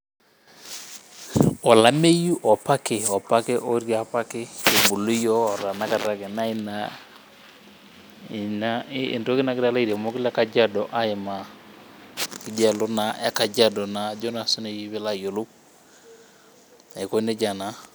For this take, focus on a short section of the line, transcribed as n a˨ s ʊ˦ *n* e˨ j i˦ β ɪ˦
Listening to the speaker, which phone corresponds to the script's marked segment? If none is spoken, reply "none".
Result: n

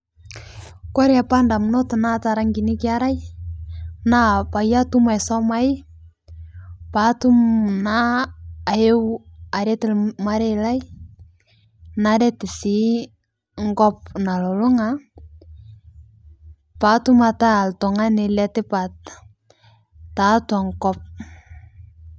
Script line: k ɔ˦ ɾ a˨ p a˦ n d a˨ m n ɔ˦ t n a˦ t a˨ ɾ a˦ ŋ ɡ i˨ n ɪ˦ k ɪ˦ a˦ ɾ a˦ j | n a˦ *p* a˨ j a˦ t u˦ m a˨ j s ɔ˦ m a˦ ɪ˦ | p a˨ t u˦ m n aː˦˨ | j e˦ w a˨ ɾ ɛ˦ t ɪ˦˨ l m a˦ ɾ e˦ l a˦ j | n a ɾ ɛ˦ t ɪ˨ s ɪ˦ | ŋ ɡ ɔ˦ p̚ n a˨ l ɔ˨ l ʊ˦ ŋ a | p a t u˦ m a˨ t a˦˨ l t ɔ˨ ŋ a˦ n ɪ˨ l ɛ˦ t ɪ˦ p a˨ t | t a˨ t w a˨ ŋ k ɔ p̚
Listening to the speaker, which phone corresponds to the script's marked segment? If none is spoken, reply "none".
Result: p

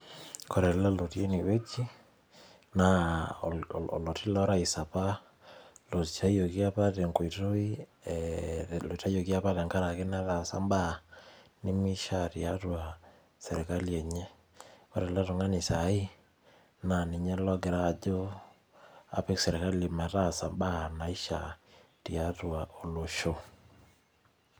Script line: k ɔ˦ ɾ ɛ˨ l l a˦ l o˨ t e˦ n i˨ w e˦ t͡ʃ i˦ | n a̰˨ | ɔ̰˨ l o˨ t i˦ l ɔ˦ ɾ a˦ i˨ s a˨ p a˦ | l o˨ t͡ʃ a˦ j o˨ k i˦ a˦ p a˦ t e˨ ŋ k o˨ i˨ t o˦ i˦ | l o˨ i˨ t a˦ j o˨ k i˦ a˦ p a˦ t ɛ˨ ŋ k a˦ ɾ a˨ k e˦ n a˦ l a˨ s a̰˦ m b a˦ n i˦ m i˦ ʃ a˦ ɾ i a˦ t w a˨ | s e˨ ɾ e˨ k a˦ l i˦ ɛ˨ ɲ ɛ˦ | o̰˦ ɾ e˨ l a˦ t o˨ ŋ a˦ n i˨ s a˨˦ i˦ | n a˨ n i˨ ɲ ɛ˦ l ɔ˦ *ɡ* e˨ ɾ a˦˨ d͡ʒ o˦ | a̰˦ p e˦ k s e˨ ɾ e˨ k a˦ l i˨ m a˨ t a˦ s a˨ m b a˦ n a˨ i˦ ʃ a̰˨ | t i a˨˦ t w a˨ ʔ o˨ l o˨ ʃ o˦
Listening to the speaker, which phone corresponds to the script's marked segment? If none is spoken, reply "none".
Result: ɡ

